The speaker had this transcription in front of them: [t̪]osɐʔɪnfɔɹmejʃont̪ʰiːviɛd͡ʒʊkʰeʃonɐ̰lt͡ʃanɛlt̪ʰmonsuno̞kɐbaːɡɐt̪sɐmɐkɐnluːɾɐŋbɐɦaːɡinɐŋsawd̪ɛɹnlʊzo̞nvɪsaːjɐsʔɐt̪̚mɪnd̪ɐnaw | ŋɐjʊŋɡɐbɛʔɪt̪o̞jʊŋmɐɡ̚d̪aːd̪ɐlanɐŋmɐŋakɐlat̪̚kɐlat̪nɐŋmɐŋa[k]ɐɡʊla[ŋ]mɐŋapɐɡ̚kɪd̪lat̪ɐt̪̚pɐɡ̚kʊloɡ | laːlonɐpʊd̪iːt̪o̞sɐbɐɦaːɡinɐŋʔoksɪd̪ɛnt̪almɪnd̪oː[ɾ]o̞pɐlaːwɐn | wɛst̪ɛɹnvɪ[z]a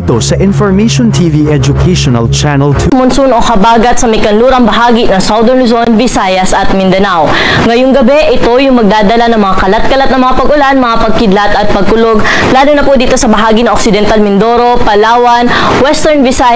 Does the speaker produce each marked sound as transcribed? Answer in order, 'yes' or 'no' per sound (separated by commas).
yes, no, no, yes, no